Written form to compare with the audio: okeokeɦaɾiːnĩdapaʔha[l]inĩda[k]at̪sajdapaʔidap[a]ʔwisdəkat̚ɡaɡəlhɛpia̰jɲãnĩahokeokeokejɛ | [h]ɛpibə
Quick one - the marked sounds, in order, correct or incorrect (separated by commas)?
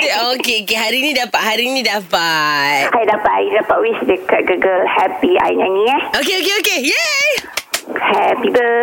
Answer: incorrect, incorrect, correct, correct